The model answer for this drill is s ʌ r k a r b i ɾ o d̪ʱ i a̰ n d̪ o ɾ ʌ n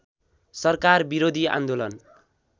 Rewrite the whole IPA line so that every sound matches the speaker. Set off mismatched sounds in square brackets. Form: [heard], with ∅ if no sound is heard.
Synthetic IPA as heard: s ʌ r k a r b i ɾ o d̪ʱ i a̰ n d̪ o [l] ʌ n